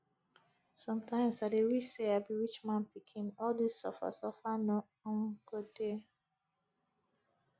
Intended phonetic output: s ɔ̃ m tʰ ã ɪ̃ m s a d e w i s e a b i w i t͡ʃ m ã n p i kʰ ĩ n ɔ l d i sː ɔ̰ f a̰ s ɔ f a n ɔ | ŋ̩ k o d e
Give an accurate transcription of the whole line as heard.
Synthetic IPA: s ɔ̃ m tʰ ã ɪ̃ m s a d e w i s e a b i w i t͡ʃ m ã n p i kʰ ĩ n ɔ l d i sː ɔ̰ f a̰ s ɔ f a n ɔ | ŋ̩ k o d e